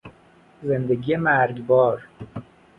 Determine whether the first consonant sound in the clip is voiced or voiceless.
voiced